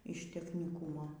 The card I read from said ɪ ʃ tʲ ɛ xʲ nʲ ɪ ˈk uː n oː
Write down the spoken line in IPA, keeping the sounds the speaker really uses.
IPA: ɪ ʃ tʲ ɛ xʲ nʲ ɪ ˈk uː m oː